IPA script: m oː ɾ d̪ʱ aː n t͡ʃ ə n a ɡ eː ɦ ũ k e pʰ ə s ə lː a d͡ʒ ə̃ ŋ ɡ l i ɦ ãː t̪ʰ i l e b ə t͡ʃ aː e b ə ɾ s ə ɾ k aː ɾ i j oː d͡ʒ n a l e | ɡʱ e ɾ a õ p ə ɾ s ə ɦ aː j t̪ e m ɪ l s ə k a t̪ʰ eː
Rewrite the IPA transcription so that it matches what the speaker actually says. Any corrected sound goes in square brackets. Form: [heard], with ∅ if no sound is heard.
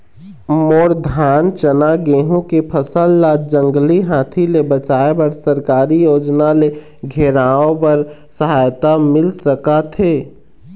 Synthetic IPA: m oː ɾ d̪ʱ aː n t͡ʃ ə n a ɡ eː ɦ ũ k e pʰ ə s ə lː a d͡ʒ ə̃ ŋ ɡ l i ɦ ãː t̪ʰ i l e b ə t͡ʃ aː e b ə ɾ s ə ɾ k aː ɾ i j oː d͡ʒ n a l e | ɡʱ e ɾ a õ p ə ɾ s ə ɦ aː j t̪ [a] m ɪ l s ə k a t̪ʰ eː

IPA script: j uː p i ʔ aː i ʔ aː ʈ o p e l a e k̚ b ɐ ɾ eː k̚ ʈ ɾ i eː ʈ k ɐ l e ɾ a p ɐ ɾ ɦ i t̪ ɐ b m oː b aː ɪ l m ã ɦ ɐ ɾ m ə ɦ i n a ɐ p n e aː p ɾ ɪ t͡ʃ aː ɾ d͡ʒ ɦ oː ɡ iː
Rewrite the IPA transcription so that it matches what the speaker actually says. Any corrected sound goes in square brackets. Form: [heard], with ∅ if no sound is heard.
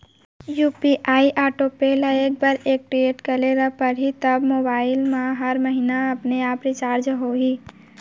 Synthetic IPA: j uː p i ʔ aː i ʔ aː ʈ o p e l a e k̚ b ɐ ɾ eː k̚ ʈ ɾ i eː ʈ k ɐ l e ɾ a p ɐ ɾ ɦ i t̪ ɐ b m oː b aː ɪ l m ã ɦ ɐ ɾ m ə ɦ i n a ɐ p n e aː p ɾ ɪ t͡ʃ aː ɾ d͡ʒ ɦ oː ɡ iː

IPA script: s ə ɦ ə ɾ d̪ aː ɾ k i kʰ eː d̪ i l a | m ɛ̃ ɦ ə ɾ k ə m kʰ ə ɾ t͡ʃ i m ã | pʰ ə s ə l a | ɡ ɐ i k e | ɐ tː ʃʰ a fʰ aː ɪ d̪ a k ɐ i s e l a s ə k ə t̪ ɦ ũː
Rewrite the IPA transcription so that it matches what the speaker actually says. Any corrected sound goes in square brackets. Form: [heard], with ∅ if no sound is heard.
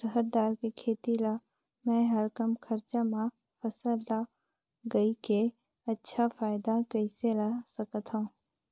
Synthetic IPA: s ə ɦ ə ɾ d̪ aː ɾ k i kʰ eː [t̪] i l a | m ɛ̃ ɦ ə ɾ k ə m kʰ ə ɾ t͡ʃ [a] m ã | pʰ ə s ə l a | ɡ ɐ i k e | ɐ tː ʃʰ a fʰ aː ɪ d̪ a k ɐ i s e l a s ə k ə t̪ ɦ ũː

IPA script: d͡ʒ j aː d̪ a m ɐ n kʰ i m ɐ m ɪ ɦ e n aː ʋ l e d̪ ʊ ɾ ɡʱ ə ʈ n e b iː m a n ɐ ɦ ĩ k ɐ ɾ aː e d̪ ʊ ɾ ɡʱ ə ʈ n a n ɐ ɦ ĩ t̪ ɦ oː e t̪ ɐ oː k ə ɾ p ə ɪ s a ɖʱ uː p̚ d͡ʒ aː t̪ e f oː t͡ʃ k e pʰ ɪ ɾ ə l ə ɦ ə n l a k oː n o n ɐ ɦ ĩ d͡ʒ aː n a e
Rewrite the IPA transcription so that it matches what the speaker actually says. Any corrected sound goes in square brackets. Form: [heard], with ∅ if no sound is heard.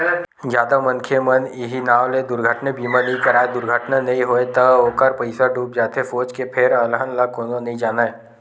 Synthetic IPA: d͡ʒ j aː d̪ a m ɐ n kʰ [e] m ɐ [n] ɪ ɦ [i] n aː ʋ l e d̪ ʊ ɾ ɡʱ ə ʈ n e b iː m a n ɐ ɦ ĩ k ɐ ɾ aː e d̪ ʊ ɾ ɡʱ ə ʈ n a n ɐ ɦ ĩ [∅] ɦ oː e t̪ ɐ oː k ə ɾ p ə ɪ s a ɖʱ uː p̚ d͡ʒ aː t̪ e f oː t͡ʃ k e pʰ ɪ ɾ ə l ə ɦ ə n l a k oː n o n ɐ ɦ ĩ d͡ʒ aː n a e

